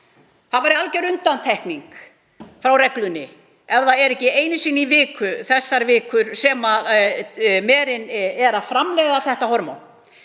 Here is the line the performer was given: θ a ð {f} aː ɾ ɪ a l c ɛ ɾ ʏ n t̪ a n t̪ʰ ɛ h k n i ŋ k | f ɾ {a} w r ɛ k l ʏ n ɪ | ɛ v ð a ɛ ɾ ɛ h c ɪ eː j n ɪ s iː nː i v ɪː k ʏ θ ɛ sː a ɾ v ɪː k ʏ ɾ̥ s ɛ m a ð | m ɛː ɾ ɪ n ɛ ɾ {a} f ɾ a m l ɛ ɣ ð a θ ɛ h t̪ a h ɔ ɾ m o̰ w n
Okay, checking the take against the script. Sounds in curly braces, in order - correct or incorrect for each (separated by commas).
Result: incorrect, correct, correct